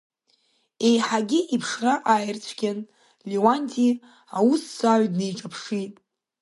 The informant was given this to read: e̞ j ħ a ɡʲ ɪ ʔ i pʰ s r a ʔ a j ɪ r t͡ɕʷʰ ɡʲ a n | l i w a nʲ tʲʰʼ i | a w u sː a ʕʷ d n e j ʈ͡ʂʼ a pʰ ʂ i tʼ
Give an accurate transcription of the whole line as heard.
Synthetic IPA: e̞ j ħ a ɡʲ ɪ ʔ i pʰ ʂ r a ʔ a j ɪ r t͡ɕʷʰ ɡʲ a n | l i w a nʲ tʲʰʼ i | a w u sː a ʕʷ d n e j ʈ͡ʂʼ a pʰ ʂ i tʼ